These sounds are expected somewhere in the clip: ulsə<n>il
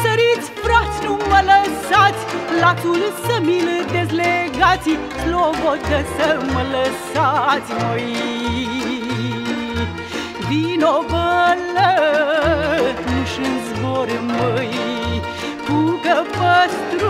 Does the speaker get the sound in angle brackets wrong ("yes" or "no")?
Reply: yes